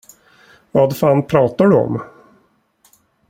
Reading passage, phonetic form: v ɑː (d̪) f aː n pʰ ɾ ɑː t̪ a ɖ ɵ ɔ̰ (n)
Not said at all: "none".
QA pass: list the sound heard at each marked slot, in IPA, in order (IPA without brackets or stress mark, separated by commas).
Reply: d̪, m